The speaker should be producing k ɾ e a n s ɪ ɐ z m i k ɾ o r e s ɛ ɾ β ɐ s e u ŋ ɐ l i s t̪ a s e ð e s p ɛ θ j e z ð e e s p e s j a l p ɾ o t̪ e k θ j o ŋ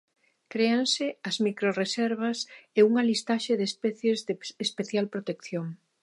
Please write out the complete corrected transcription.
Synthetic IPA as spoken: k ɾ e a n s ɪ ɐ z m i k ɾ o r e s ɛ ɾ β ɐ s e u ŋ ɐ l i s t̪ a ʃ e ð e s p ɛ θ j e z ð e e s p e θ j a l p ɾ o t̪ e k θ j o ŋ